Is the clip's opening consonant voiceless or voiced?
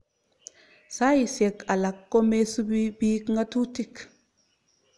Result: voiceless